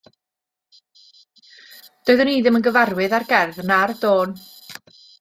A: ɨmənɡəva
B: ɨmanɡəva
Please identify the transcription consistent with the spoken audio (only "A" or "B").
A